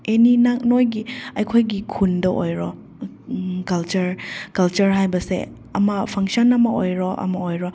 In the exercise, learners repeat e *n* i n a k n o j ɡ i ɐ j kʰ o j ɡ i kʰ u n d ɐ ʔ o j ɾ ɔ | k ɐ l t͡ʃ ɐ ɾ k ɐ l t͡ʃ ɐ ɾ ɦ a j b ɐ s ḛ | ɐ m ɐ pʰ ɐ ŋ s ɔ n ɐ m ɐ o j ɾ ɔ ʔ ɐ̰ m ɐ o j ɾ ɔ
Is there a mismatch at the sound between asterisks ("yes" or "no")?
no